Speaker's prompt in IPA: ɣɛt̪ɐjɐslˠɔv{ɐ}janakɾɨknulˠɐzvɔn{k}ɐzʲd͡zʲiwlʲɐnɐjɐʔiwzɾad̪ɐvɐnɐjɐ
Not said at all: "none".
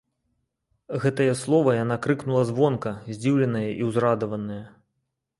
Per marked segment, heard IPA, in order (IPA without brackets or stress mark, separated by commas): ɐ, k